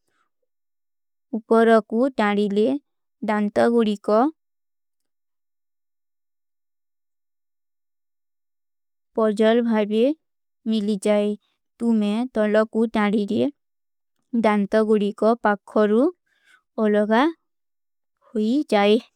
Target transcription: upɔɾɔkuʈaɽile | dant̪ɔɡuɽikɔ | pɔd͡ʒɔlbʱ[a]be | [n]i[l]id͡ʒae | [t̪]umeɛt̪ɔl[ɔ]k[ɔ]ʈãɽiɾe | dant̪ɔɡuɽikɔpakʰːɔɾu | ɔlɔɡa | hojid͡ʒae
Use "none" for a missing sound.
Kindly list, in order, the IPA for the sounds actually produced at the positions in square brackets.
a, m, l, t̪, ɔ, u

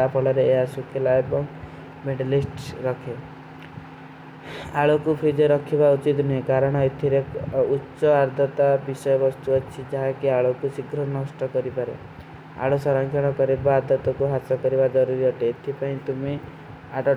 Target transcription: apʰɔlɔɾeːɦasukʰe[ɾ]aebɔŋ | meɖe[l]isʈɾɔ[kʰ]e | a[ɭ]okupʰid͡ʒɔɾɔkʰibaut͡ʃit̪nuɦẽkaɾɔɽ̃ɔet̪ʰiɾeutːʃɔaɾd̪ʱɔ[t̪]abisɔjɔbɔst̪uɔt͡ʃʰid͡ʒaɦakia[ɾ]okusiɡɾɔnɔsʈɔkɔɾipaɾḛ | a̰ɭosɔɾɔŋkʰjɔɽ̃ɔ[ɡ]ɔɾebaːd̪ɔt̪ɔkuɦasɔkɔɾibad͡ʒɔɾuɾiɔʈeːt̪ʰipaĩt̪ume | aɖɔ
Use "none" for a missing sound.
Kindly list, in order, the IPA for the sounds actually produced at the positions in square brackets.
l, l, kʰ, ɭ, t̪, ɭ, k

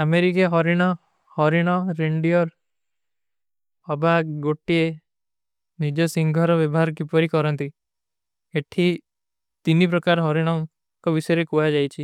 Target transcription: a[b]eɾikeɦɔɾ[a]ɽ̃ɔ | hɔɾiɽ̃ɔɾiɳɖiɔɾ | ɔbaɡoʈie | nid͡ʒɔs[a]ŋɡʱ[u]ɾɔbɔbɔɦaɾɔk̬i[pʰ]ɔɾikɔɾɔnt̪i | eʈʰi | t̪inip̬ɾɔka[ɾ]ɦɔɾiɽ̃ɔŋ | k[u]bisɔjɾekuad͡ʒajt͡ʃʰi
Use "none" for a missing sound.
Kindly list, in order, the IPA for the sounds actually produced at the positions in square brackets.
m, i, i, ɔ, p, ɾ, ɔ

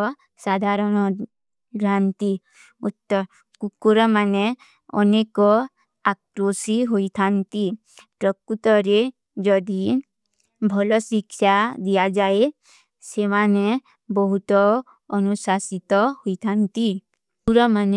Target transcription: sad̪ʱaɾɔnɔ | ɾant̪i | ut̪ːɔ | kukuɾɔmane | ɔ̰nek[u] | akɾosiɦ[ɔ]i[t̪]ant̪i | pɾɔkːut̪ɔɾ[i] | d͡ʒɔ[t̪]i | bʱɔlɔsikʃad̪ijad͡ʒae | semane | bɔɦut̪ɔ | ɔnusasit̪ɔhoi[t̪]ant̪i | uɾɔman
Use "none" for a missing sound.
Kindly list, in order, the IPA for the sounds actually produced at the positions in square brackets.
ɔ, o, t̪ʰ, e, d̪, t̪ʰ

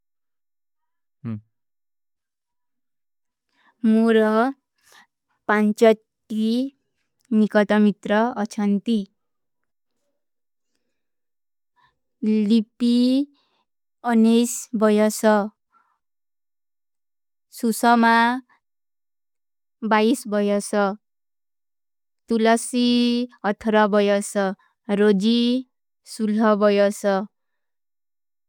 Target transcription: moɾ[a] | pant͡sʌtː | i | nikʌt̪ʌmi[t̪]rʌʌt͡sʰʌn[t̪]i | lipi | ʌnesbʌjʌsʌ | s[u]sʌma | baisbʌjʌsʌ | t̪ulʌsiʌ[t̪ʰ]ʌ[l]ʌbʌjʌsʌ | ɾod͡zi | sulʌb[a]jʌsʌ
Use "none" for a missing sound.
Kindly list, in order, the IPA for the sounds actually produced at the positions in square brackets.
ʌ, t̪, t̪, u, t̪ʰ, ɾ, ʌ

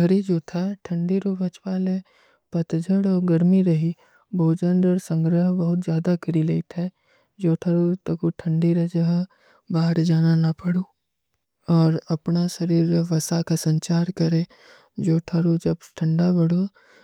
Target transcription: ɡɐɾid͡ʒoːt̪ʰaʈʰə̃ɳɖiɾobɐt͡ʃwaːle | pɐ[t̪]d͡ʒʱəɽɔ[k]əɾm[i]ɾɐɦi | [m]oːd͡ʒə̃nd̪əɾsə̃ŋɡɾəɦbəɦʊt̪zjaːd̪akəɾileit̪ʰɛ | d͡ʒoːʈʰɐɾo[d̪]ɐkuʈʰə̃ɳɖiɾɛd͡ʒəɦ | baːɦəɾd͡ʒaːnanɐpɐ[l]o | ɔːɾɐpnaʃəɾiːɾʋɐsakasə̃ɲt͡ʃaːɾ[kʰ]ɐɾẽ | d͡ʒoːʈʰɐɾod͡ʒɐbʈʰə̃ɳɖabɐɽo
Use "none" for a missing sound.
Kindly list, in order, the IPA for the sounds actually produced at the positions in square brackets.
t̪, ɡ, i, b, t̪, ɽ, k

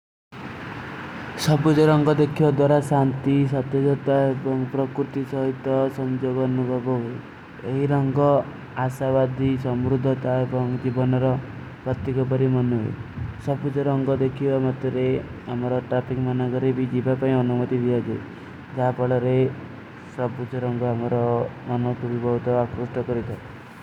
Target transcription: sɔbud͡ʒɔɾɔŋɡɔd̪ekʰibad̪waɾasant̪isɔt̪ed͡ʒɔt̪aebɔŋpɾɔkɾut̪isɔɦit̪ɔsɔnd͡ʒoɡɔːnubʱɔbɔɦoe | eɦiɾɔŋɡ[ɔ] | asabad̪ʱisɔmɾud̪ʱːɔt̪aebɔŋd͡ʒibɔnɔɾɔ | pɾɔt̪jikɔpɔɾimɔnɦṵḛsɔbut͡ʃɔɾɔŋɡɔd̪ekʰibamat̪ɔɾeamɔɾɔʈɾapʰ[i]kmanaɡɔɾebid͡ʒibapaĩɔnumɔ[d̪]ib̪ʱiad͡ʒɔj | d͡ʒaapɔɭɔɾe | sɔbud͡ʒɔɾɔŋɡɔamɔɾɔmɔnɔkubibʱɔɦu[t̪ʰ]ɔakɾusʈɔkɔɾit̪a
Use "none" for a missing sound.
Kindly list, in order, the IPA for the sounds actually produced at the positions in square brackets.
ɔ, i, t̪, t̪

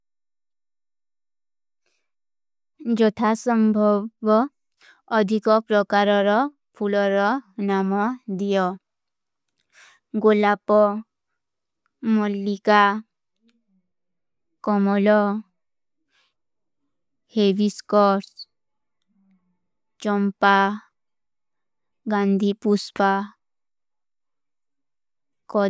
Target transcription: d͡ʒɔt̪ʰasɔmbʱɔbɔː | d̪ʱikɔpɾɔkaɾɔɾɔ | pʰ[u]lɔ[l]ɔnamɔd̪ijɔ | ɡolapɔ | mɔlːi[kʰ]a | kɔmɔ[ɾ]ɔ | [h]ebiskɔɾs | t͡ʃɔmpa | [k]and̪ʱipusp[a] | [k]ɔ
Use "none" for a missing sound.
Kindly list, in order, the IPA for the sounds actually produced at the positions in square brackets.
u, ɾ, k, l, h, ɡ, a, k

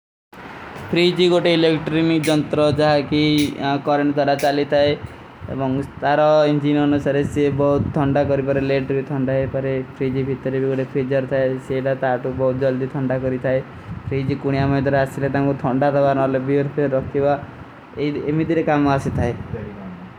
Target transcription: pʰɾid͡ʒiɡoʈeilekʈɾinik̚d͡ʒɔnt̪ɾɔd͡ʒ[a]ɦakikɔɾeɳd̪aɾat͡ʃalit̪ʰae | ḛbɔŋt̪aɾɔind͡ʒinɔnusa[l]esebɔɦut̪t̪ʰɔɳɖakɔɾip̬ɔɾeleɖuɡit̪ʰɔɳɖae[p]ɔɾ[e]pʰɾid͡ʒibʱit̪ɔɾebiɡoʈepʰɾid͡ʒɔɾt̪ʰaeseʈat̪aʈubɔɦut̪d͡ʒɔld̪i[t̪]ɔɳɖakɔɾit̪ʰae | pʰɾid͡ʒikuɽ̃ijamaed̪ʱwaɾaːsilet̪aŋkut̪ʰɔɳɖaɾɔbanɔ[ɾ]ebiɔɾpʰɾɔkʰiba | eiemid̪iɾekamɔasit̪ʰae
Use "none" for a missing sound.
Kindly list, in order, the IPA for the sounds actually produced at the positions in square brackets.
a, ɾ, p, e, t̪ʰ, l

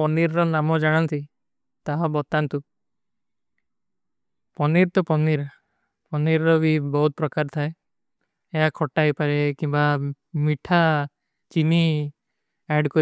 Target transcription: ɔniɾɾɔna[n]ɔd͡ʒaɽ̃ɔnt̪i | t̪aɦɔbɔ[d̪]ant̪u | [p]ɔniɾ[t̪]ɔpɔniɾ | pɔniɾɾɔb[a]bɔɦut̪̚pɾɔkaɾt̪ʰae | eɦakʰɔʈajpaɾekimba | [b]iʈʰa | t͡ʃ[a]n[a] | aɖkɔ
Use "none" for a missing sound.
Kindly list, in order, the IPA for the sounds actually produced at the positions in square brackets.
m, t̪, p, t̪, i, m, i, i

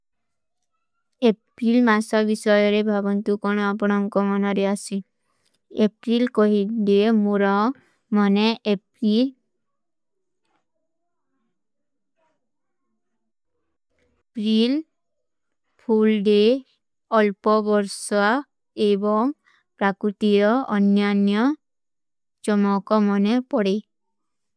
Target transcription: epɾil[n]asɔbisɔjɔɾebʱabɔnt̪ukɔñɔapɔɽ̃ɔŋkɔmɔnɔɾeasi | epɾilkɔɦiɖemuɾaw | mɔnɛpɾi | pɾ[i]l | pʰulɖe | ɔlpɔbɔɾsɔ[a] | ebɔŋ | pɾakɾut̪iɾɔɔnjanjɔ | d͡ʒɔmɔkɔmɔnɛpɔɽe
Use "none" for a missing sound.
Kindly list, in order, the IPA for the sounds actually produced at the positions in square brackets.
m, i, a

